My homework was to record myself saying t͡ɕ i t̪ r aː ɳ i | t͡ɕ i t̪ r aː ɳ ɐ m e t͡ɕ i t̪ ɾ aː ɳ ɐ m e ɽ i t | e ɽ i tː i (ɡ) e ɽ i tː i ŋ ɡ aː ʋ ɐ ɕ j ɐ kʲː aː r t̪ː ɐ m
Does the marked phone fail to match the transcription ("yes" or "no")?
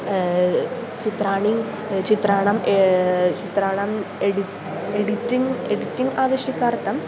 yes